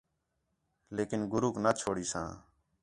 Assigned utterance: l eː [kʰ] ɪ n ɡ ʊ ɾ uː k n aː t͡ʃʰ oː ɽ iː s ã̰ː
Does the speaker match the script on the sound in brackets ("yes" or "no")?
no